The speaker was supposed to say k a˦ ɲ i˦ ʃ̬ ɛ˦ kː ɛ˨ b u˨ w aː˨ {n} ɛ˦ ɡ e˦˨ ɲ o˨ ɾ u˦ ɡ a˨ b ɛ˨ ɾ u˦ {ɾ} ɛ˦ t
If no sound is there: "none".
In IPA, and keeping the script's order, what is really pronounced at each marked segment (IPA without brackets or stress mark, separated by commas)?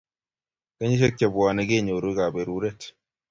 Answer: n, ɾ